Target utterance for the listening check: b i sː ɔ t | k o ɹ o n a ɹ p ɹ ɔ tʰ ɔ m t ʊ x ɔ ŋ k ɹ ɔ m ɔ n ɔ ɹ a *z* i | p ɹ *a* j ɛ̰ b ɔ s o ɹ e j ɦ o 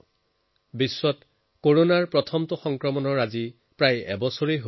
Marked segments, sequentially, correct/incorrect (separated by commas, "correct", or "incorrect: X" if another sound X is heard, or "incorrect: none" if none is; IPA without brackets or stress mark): correct, correct